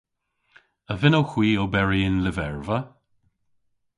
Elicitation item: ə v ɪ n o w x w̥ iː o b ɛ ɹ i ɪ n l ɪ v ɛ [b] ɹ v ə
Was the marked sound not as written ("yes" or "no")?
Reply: yes